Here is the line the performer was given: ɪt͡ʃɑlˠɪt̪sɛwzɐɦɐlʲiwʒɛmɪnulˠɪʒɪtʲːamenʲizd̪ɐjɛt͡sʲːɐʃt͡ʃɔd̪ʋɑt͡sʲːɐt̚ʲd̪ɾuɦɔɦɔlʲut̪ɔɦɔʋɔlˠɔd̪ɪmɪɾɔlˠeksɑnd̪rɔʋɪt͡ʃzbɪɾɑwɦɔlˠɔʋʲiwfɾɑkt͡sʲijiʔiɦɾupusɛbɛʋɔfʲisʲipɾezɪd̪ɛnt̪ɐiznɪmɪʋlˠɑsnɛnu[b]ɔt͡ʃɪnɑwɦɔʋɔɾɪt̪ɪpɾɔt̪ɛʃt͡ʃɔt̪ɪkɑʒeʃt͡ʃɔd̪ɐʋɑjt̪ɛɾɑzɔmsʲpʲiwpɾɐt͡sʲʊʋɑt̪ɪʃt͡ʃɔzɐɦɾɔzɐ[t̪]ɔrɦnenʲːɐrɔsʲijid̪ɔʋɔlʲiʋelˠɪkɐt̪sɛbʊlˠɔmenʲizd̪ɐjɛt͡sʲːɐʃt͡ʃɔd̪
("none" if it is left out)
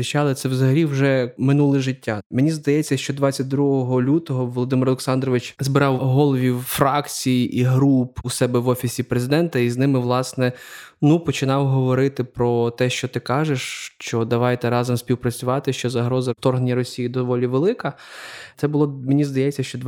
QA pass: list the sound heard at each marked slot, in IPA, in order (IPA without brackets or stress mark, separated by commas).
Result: p, t̪